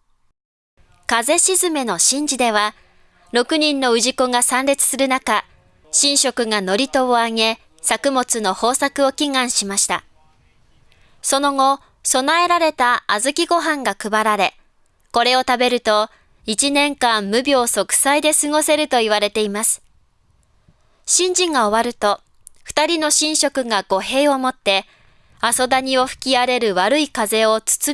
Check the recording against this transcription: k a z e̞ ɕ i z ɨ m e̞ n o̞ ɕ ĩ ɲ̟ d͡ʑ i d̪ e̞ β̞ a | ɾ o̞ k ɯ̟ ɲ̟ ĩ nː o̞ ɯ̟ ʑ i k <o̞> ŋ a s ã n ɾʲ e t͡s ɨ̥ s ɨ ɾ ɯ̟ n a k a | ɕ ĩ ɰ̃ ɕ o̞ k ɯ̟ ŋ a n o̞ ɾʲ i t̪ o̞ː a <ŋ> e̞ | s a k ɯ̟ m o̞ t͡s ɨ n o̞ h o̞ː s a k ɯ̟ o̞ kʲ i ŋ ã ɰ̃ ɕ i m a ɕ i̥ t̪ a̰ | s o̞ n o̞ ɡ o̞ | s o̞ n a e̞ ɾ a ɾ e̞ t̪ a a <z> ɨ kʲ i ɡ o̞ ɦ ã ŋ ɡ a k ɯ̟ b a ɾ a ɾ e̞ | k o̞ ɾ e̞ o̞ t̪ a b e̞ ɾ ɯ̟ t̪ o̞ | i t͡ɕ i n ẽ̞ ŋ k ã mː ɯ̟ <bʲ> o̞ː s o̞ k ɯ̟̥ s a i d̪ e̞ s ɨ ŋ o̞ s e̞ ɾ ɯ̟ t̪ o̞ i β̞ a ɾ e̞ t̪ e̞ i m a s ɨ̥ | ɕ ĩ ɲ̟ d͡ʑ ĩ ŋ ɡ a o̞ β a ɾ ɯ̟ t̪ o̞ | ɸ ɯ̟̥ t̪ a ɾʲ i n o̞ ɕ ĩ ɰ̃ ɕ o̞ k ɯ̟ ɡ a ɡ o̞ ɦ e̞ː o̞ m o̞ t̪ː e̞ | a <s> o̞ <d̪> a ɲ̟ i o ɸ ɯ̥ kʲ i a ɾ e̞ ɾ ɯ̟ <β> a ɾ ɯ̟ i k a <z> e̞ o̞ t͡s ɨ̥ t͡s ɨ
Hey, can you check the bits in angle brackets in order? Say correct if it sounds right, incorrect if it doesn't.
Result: correct, correct, correct, correct, correct, correct, correct, correct

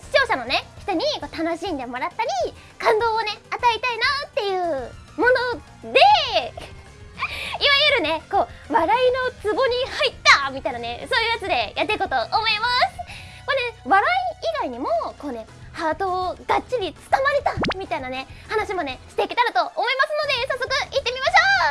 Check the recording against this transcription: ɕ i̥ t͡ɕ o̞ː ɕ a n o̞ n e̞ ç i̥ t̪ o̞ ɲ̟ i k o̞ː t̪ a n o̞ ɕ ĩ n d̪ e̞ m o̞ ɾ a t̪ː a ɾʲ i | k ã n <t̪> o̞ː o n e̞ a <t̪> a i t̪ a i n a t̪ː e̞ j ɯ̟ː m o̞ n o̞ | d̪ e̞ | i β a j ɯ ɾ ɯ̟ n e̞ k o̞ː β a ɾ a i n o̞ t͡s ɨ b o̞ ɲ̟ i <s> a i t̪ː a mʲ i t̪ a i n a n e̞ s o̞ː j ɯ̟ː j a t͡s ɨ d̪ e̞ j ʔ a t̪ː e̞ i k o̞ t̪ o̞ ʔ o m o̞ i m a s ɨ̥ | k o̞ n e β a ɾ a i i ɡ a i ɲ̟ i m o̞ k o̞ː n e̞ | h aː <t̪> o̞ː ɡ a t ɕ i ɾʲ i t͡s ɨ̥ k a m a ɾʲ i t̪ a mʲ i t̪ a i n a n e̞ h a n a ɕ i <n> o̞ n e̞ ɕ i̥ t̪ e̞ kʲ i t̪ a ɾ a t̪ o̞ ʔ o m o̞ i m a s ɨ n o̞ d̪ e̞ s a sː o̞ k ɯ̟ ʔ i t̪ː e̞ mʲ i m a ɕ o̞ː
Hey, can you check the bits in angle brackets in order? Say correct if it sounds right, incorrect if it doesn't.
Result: incorrect, correct, incorrect, correct, incorrect

